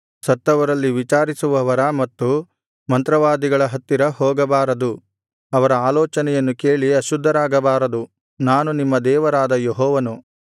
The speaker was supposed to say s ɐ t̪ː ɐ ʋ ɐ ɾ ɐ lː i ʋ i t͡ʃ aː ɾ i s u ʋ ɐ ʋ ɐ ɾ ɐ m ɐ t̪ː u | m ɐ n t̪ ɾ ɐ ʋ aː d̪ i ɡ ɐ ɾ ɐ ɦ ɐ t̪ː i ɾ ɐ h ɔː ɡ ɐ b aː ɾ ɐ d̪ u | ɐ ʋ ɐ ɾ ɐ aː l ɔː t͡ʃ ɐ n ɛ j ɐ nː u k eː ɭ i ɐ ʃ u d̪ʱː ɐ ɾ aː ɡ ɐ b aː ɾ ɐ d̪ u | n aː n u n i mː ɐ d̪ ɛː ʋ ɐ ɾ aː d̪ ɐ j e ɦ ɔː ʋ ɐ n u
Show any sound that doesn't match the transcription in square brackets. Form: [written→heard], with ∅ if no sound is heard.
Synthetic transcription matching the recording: s ɐ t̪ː ɐ ʋ ɐ ɾ ɐ lː i ʋ i t͡ʃ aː ɾ i s u ʋ ɐ ʋ ɐ ɾ ɐ m ɐ t̪ː u | m ɐ n t̪ ɾ ɐ ʋ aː d̪ i ɡ ɐ [ɾ→ɭ] ɐ ɦ ɐ t̪ː i ɾ ɐ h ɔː ɡ ɐ b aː ɾ ɐ d̪ u | ɐ ʋ ɐ ɾ ɐ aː l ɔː t͡ʃ ɐ n ɛ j ɐ nː u k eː ɭ i ɐ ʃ u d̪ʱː ɐ ɾ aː ɡ ɐ b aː ɾ ɐ d̪ u | n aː n u n i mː ɐ d̪ ɛː ʋ ɐ ɾ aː d̪ ɐ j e ɦ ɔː ʋ ɐ n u